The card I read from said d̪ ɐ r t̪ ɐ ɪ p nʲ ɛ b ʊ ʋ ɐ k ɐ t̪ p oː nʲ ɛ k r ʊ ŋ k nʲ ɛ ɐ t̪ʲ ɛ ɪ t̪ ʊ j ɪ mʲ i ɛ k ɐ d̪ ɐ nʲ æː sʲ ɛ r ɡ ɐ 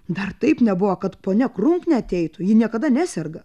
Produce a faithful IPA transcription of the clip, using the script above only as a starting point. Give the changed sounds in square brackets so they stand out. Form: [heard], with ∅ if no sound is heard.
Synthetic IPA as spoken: d̪ ɐ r t̪ ɐ ɪ p nʲ ɛ b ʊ ʋ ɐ k ɐ t̪ p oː nʲ ɛ k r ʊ ŋ k nʲ ɛ ɐ t̪ʲ ɛ ɪ t̪ ʊ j ɪ [nʲ] i ɛ k ɐ d̪ ɐ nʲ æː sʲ ɛ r ɡ ɐ